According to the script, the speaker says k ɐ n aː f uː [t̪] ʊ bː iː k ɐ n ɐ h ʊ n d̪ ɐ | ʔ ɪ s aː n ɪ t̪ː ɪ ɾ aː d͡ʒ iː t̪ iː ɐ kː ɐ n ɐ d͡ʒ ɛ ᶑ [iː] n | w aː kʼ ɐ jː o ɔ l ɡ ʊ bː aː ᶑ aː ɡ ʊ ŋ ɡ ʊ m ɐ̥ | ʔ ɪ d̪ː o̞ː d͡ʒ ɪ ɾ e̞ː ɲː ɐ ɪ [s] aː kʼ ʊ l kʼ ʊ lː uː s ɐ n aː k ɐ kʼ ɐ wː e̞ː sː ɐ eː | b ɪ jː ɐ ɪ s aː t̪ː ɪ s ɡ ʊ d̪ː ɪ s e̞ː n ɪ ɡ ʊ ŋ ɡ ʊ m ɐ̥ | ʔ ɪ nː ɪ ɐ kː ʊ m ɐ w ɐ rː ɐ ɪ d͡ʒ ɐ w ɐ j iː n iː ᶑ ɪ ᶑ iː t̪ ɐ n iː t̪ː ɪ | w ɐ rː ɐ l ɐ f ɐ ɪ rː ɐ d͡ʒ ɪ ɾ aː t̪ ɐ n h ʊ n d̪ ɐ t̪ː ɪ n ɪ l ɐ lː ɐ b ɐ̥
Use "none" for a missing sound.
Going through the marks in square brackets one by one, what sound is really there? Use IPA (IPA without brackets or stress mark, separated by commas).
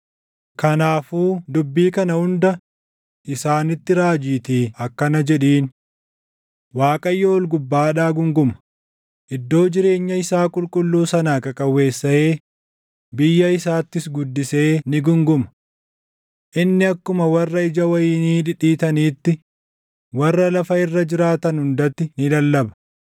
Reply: d̪, iː, s